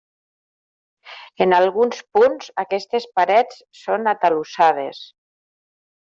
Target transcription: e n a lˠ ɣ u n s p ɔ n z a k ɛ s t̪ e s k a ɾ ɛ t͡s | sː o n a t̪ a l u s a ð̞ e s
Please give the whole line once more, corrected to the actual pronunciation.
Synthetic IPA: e n a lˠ ɣ u n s p u n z a k ɛ s t̪ e s p a ɾ ɛ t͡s | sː o n a t̪ a l u s a ð̞ e s